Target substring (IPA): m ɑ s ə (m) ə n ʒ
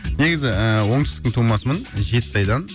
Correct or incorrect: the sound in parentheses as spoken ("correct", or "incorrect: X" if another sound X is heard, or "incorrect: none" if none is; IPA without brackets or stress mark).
correct